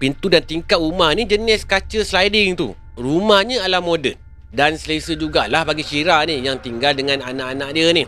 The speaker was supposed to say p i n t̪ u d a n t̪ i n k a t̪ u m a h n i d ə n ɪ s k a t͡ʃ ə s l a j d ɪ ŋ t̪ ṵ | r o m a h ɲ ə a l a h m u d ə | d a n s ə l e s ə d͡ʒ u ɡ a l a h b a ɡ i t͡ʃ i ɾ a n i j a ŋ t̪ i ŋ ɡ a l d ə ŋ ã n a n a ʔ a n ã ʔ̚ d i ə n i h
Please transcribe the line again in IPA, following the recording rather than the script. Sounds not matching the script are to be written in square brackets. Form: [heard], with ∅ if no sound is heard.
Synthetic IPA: p i n t̪ u d a n t̪ i [ŋ] k a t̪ u m a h n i [d͡ʒ] ə n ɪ s k a t͡ʃ ə s l a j d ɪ ŋ t̪ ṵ | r [u] m a h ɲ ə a l a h m [o] d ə | d a n s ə l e s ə d͡ʒ u ɡ a l a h b a ɡ i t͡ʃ i ɾ a n i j a ŋ t̪ i ŋ ɡ a l d ə ŋ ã n a n a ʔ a n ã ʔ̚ d i ə n i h